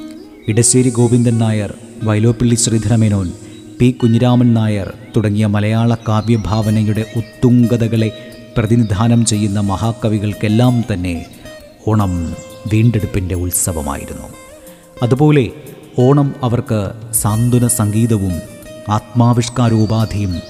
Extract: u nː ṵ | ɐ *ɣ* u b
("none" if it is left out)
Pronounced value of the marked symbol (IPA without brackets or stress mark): ð